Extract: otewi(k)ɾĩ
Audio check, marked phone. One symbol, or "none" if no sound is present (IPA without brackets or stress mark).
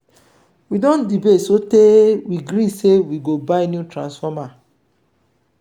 ɡ